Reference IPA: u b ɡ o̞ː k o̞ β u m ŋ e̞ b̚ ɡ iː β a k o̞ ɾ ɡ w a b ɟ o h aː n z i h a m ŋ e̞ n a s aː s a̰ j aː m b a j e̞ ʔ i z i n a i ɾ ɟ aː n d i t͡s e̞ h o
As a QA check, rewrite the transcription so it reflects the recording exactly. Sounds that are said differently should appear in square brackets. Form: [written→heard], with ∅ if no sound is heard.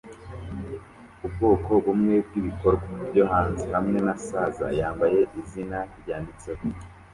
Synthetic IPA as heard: u b ɡ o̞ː k o̞ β u m ŋ e̞ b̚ ɡ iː β [a→i] k o̞ ɾ ɡ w a b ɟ o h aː n z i h a m ŋ e̞ n a s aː [s→z] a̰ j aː m b a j e̞ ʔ i z i n a i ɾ ɟ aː n d i t͡s e̞ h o

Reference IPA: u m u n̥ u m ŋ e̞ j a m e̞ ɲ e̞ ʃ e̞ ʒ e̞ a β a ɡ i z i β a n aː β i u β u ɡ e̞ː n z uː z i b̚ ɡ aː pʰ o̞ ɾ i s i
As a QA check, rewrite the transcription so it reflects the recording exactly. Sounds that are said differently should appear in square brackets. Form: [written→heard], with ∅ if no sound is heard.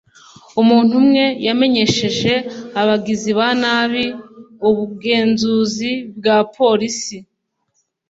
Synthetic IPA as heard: u m [u→uː] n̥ u m ŋ e̞ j a m e̞ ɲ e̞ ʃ e̞ ʒ e̞ a β a ɡ i z i β a n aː β i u β u ɡ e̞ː n z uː z i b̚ ɡ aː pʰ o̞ ɾ i s i

